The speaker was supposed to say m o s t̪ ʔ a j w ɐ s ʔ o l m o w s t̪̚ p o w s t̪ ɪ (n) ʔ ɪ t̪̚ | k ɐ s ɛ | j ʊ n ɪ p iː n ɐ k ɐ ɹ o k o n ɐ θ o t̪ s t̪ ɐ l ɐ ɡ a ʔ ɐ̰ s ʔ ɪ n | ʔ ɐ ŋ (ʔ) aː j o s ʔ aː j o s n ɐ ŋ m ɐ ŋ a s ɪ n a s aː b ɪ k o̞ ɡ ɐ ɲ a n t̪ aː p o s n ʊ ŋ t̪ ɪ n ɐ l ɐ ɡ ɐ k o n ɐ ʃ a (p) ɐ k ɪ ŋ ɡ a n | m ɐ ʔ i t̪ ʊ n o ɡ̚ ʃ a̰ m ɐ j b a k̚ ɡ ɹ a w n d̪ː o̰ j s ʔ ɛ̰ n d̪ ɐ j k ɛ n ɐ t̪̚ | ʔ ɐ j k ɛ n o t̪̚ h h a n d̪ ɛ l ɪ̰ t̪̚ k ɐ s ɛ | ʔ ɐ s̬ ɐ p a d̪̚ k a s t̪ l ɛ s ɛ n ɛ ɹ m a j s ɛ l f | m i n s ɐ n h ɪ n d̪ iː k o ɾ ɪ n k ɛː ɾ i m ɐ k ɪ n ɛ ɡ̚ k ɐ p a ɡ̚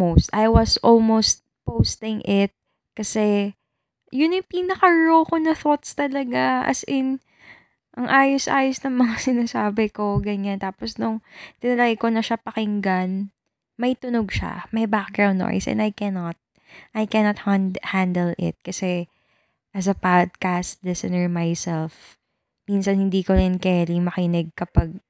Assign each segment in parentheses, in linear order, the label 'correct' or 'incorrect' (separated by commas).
incorrect, correct, correct